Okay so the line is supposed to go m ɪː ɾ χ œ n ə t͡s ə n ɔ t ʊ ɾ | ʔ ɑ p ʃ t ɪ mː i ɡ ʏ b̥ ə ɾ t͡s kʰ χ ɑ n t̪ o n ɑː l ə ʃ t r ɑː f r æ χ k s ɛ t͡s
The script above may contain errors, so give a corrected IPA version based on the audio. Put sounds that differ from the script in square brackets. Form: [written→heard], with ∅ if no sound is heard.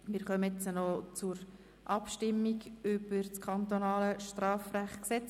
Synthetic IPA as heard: m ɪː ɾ χ œ [n→m] ə t͡s ə n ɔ [t→t͡s] ʊ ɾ | ʔ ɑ p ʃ t ɪ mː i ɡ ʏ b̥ ə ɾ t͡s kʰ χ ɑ n t̪ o n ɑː l ə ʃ t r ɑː f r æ χ k s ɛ t͡s